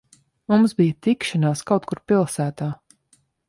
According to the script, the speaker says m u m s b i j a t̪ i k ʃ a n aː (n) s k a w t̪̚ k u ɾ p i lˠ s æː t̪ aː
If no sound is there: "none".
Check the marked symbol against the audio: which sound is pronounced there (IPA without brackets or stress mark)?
none